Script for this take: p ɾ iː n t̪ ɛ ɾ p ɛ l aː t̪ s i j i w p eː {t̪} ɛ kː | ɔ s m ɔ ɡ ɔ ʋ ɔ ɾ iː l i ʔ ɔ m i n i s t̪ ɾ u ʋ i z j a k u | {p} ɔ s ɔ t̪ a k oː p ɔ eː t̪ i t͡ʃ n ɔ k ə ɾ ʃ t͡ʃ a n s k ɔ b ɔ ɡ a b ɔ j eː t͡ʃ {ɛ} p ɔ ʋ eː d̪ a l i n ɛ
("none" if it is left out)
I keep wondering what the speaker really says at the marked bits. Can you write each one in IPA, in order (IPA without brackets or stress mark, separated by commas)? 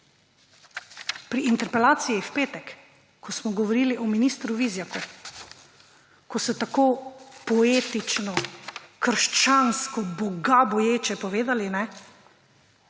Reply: t̪, k, ɛ